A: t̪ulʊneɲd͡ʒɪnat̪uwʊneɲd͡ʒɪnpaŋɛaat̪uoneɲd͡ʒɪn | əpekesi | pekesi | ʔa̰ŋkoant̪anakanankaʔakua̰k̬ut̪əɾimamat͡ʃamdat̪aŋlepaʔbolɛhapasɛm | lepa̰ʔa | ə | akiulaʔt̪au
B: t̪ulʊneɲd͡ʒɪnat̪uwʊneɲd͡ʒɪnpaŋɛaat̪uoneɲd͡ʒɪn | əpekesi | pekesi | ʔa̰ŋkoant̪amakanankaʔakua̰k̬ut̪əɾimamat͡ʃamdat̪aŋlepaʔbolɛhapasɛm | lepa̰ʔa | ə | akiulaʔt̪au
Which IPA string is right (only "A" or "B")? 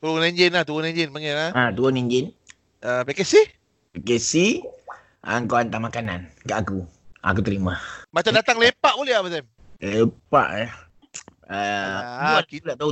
B